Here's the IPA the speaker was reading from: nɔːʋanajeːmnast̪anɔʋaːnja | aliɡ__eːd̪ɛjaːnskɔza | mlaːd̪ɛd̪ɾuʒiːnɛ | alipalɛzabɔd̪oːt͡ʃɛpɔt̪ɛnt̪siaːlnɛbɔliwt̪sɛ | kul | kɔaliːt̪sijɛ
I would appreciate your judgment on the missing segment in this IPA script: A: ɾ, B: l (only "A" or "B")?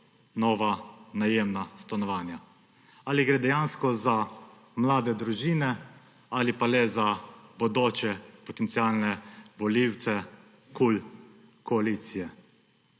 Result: A